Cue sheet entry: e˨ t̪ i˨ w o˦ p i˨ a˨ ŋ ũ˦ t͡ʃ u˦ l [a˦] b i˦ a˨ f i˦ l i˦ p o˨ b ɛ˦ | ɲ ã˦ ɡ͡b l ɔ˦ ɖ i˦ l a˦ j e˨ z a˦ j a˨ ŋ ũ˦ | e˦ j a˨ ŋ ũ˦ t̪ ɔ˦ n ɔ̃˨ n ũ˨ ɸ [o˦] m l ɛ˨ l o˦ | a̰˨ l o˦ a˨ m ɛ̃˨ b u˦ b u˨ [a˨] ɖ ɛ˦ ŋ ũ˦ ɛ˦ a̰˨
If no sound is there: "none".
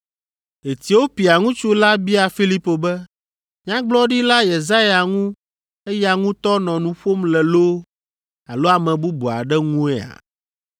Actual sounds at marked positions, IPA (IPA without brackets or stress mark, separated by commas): a˦, o˦, a˨